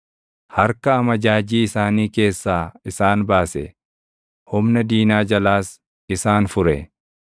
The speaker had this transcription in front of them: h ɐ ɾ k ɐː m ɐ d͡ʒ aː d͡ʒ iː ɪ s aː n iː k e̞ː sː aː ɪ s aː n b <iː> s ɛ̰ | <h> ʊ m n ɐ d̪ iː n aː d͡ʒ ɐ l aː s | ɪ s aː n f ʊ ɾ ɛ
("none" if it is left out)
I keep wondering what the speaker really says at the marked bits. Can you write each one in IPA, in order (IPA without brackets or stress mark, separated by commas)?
aː, h